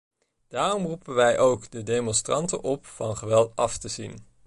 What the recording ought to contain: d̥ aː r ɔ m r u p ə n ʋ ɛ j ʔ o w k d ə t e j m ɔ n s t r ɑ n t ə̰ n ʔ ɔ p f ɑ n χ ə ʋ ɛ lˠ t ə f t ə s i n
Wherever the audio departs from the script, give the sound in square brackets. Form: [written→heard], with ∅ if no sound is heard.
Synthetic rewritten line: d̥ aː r ɔ m r u p ə n ʋ ɛ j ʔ o w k d ə [t→d] e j m ɔ n s t r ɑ n t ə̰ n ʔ ɔ p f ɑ n χ ə ʋ ɛ lˠ t [ə→ɑ] f t ə [s→z] i n